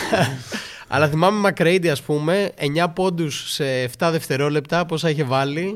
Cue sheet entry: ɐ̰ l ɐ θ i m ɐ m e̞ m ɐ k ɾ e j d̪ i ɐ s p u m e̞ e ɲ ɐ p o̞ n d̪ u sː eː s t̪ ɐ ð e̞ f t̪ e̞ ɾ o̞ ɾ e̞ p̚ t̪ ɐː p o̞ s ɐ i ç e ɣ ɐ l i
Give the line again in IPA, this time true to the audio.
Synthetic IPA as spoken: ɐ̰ l ɐ θ i m ɐ m e̞ m ɐ k ɾ e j d̪ i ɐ s p u m e̞ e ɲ ɐ p o̞ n d̪ u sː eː f t̪ ɐ ð e̞ f t̪ e̞ ɾ o̞ l e̞ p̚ t̪ ɐ p o̞ s ɐ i ç e v ɐ l i